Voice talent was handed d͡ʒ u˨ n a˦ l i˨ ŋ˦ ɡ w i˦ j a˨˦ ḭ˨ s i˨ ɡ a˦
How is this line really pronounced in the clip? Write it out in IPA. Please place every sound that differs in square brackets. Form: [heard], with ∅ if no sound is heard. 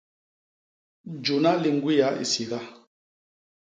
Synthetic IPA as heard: d͡ʒ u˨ n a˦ l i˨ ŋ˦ ɡ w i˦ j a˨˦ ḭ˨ s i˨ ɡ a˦